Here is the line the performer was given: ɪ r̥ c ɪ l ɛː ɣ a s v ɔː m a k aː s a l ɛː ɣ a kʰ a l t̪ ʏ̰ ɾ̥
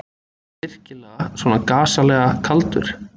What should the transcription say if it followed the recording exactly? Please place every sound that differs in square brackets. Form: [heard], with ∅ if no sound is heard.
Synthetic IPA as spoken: ɪ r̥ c ɪ l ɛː ɣ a s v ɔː [n] a k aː s a l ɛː ɣ a kʰ a l t̪ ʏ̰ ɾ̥